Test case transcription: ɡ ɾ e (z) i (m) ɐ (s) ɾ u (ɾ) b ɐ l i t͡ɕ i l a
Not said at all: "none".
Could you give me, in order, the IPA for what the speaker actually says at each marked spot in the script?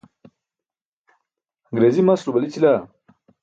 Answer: z, m, s, none

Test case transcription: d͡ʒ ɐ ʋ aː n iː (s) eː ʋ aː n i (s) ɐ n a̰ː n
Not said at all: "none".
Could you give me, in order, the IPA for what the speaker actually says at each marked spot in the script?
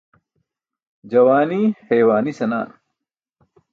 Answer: h, s

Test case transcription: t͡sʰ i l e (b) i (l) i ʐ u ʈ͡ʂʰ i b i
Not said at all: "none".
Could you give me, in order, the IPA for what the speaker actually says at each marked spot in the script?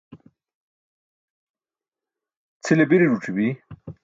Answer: b, ɾ

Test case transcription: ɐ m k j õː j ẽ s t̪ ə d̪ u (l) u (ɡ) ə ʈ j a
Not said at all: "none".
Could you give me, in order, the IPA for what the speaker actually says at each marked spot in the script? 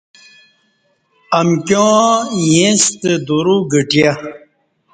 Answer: ɾ, ɡ

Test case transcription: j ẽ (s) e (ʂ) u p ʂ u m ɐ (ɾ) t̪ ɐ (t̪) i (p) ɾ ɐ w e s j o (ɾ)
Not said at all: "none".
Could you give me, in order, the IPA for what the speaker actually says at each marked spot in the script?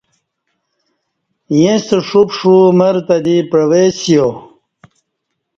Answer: s, ʂ, ɾ, d̪, p, none

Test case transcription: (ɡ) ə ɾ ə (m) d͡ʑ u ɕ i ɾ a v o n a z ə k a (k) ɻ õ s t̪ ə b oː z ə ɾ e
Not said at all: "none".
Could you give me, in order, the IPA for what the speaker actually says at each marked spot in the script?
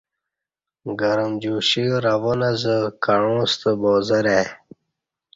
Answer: ɡ, m, none

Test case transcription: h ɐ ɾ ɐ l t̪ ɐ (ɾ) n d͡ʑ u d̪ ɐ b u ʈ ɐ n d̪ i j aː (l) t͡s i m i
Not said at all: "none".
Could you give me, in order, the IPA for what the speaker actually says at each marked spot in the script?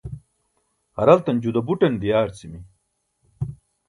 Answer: none, ɾ

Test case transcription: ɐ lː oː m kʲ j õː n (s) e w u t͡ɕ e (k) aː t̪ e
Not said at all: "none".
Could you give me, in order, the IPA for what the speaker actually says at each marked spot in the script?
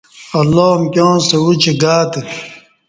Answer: s, ɡ

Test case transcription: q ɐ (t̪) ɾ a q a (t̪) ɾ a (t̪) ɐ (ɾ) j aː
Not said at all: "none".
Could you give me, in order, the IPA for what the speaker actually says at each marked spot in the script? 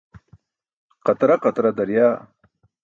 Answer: t̪, t̪, d̪, ɾ

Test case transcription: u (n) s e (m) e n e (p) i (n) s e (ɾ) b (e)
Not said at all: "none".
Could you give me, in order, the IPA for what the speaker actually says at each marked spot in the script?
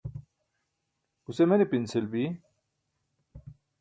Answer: none, m, p, n, l, i

